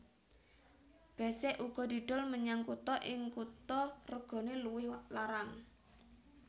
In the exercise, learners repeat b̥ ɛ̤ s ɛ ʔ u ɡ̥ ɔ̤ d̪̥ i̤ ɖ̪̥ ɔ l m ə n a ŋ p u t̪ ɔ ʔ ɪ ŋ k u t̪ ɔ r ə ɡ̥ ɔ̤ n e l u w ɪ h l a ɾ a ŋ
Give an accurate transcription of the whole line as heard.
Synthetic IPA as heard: b̥ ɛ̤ s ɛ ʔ u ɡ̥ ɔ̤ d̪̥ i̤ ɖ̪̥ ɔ l m ə ɲ a ŋ k u t̪ ɔ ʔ ɪ ŋ k u t̪ ɔ r ə ɡ̥ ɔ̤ n e l u w ɪ h l a ɾ a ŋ